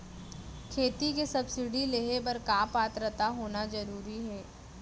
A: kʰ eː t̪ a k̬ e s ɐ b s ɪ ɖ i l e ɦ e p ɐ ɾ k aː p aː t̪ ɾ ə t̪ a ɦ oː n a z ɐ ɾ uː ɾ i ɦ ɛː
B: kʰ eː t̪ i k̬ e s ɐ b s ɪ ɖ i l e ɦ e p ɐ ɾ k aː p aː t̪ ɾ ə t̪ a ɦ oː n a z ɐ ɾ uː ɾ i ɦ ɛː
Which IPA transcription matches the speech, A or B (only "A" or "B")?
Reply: B